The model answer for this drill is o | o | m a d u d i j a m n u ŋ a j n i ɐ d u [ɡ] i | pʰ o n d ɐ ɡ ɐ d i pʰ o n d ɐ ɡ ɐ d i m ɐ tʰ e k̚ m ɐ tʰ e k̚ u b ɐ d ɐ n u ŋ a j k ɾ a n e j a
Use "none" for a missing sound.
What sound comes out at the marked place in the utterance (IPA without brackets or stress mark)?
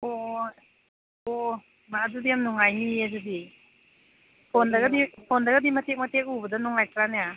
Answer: d